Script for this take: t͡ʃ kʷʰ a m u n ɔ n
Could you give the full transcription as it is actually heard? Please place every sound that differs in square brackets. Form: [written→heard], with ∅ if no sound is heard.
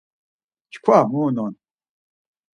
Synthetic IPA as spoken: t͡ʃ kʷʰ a m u n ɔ n